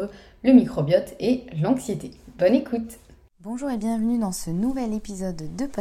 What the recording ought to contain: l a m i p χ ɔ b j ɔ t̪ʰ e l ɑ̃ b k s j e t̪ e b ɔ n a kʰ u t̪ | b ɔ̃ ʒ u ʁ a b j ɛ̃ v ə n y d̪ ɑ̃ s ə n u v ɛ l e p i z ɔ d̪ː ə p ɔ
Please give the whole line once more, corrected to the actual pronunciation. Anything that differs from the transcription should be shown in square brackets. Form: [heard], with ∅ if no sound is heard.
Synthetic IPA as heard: l [ə] m i [k] χ ɔ b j ɔ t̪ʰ e l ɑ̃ [∅] k s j e t̪ e b ɔ n [e] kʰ u t̪ | b ɔ̃ ʒ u ʁ [e] b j ɛ̃ v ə n y d̪ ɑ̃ s ə n u v ɛ l e p i z ɔ d̪ː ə p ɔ